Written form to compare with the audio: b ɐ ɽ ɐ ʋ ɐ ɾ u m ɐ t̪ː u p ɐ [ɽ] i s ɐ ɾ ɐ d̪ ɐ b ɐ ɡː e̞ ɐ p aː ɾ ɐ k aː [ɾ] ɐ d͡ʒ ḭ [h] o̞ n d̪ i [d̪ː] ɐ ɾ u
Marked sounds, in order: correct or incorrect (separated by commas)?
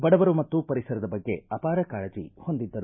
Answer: incorrect, incorrect, correct, correct